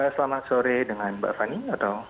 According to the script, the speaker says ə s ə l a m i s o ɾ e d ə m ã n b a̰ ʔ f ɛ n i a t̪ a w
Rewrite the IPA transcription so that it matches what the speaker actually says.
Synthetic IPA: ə s ə l a m a s o ɾ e d ə ŋ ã n b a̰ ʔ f a n i a t̪ a w